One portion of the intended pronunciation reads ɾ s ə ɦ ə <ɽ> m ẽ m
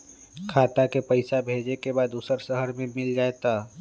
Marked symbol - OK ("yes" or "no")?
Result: no